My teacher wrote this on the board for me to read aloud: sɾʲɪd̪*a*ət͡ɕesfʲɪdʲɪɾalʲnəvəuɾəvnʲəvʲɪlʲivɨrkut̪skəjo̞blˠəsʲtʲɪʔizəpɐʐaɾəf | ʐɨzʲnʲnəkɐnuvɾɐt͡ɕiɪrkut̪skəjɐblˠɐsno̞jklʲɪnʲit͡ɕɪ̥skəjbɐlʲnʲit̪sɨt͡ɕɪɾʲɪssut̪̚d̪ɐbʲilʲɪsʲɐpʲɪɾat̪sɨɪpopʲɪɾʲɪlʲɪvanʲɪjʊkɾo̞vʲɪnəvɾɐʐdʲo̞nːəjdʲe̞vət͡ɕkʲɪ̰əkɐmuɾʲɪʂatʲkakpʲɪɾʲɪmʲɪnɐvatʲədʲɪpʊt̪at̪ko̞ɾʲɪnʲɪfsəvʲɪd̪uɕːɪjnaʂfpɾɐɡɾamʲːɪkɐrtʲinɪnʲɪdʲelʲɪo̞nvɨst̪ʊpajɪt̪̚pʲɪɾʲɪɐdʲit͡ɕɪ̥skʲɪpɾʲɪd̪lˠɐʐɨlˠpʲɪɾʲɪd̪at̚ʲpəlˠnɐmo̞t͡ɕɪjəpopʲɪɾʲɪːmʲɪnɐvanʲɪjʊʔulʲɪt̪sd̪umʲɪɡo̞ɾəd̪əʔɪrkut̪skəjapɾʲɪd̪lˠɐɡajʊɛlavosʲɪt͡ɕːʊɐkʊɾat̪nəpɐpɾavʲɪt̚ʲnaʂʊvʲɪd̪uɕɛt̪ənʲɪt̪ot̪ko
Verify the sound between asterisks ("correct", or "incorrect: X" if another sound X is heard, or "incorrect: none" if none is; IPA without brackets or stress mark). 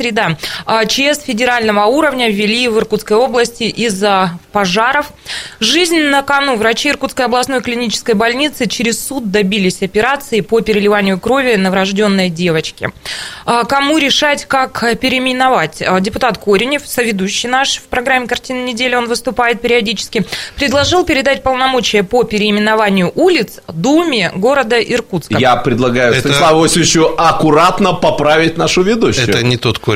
correct